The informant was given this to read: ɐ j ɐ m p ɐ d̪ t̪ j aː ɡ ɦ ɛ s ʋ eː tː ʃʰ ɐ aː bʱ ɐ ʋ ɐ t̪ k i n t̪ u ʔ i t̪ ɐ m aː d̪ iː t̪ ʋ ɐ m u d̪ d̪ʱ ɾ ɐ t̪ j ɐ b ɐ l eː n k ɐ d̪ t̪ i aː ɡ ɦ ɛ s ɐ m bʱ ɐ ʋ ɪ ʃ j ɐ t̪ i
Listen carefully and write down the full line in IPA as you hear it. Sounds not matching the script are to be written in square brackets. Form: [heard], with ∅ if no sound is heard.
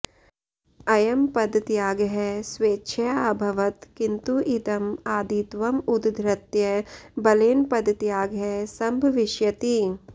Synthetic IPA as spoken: ɐ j ɐ m p ɐ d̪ t̪ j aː ɡ ɦ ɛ s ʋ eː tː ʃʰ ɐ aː bʱ ɐ ʋ ɐ t̪ k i n t̪ u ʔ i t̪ ɐ m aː d̪ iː t̪ ʋ ɐ m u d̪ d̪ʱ ɾ ɐ t̪ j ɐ b ɐ l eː n [p] ɐ d̪ t̪ [j] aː ɡ ɦ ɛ s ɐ m bʱ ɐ ʋ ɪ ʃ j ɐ t̪ i